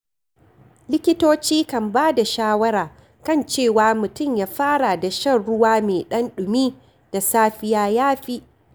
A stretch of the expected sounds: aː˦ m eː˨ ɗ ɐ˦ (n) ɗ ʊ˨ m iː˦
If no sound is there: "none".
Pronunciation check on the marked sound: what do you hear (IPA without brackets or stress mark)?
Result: n